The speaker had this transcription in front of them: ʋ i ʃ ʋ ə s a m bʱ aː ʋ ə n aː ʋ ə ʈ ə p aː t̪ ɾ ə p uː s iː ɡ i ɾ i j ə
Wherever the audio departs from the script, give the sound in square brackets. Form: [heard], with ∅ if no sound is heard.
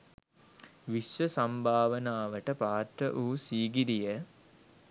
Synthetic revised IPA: ʋ i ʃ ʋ ə s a m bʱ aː ʋ ə n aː ʋ ə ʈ ə p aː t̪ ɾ ə [ʔ] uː s iː ɡ i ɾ i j ə